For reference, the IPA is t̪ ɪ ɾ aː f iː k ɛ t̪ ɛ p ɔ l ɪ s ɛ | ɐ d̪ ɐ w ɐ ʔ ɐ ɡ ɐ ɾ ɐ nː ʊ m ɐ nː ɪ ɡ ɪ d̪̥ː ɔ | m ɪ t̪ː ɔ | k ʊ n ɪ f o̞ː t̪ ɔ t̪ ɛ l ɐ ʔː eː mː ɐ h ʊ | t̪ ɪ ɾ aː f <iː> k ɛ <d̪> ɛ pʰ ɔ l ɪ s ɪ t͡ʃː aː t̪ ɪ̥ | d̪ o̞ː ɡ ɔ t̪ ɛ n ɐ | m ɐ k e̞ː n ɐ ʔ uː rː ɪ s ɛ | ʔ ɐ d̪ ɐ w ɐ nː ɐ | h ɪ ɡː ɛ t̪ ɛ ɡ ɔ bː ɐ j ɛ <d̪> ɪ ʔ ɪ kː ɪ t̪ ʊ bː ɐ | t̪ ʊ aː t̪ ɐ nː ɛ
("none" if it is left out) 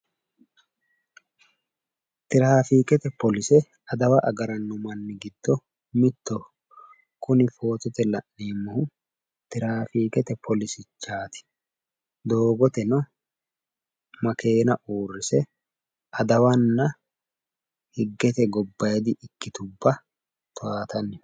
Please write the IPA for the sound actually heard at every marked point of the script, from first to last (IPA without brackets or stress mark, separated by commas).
iː, t̪, d̪